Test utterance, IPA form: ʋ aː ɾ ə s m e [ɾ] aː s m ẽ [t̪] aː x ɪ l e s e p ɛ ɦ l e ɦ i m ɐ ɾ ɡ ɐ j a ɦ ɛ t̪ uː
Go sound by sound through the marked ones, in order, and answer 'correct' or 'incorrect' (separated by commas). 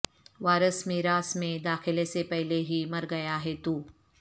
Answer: correct, incorrect